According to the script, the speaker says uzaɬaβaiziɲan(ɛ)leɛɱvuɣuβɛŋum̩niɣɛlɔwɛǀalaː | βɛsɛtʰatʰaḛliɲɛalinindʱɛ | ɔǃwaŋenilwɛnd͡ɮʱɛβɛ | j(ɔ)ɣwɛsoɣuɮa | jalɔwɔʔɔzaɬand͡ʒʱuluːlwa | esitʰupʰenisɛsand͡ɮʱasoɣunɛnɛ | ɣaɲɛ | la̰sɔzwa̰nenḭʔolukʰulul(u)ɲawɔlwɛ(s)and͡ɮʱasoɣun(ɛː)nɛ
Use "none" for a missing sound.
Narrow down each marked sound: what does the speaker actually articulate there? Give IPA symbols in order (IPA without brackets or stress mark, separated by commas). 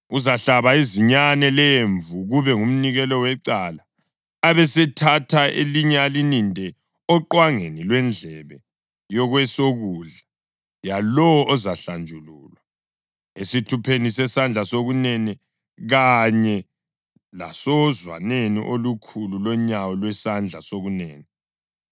ɛ, ɔ, ɔ, s, ɛː